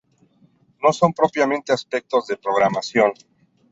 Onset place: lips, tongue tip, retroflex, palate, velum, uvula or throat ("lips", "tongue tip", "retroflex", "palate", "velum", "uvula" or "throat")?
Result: tongue tip